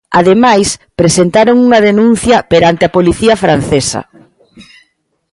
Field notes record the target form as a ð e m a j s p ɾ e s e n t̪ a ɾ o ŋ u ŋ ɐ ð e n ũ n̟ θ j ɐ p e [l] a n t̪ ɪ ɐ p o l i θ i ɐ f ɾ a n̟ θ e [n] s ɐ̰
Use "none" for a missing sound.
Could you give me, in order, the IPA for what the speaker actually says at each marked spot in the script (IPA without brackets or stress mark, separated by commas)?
ɾ, none